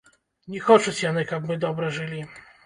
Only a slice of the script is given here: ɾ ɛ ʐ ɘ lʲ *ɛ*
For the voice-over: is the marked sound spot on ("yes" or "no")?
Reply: no